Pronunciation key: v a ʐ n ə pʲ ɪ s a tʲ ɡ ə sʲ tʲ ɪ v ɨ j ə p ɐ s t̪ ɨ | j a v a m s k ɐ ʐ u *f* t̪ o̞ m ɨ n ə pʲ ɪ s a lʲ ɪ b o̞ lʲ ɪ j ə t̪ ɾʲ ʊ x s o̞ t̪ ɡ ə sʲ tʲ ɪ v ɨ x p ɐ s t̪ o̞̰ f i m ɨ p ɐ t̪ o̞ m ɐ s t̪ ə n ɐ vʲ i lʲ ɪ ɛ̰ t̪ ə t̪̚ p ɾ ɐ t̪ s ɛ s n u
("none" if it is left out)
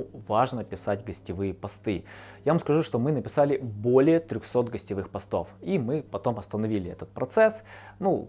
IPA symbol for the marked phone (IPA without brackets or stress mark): ʂ